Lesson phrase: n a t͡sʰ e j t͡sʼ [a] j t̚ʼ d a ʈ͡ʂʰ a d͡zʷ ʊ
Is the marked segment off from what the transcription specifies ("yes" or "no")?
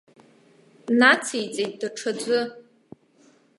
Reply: yes